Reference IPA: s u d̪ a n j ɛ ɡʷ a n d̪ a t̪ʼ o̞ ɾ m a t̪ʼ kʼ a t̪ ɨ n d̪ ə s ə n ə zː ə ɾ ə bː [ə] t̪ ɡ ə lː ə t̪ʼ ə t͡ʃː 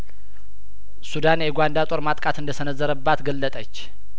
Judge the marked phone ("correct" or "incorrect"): incorrect